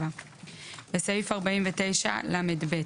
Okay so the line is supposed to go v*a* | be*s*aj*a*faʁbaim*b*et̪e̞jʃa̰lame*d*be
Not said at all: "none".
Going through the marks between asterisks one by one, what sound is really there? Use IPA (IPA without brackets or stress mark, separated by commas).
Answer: a, s, i, v, d